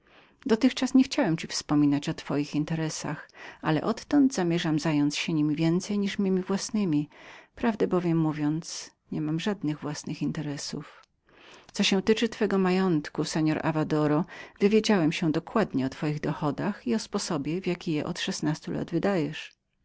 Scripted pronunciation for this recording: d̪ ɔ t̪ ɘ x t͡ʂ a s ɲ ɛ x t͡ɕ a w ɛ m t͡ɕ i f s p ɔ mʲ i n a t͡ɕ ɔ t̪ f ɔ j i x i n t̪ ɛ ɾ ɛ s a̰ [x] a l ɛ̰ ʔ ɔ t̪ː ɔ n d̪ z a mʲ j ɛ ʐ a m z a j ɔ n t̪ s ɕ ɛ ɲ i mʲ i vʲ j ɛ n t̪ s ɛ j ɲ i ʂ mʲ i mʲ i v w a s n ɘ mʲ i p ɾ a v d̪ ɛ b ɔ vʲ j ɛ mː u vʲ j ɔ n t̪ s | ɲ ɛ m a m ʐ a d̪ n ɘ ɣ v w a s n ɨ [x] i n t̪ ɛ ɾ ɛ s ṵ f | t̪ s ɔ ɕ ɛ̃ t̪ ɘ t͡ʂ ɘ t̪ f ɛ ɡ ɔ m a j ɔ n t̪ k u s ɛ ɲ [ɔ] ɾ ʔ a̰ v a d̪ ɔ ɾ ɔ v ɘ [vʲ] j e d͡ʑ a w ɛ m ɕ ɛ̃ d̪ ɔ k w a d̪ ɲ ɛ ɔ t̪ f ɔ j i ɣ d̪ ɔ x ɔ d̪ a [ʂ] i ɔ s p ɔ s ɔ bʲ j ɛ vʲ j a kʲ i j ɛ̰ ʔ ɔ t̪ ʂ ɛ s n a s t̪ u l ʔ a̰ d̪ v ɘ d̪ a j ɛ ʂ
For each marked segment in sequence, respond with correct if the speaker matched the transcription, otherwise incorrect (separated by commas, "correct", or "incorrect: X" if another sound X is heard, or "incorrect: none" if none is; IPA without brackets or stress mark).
correct, correct, correct, correct, incorrect: x